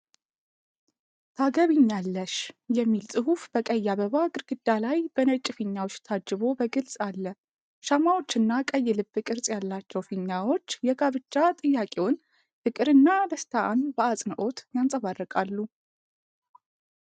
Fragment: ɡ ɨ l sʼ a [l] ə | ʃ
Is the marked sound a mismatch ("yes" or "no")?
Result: yes